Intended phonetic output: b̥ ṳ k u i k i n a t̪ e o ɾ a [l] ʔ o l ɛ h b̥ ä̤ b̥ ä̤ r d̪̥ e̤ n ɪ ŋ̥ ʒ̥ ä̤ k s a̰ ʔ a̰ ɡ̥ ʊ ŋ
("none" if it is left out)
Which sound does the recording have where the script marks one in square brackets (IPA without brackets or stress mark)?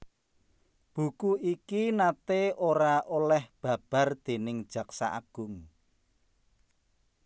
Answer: none